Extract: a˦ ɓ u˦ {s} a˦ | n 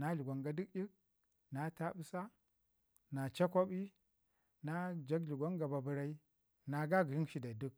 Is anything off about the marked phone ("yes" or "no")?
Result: no